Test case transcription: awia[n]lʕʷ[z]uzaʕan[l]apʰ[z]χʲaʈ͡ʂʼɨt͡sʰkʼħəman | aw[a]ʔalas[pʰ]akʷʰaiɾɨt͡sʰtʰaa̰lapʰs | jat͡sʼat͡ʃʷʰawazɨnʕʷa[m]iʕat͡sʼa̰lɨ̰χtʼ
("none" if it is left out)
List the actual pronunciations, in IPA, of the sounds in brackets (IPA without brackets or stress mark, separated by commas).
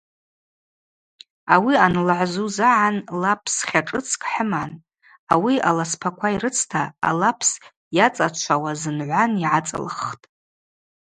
n, z, l, s, i, pʰ, n